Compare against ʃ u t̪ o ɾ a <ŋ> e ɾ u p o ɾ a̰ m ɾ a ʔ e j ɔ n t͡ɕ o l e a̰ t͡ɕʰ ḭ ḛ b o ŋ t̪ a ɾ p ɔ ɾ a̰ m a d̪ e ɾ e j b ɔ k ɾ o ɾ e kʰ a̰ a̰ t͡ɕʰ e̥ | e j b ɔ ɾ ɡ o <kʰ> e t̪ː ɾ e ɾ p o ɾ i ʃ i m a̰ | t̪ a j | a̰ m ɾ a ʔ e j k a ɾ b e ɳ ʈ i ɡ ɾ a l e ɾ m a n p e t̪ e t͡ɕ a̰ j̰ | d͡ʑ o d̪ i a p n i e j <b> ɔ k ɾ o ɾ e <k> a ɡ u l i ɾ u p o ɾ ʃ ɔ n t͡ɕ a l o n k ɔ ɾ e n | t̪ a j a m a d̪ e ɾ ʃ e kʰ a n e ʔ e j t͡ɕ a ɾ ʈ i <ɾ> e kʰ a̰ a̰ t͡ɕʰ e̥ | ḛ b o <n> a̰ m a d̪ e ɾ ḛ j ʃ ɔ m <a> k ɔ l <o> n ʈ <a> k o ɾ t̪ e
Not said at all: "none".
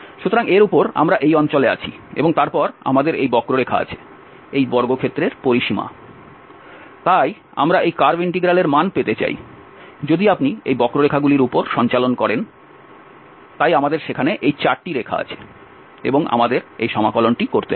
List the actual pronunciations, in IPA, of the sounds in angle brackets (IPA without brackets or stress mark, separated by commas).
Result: ŋ, kʰ, b, kʰ, ɾ, ŋ, a, o, i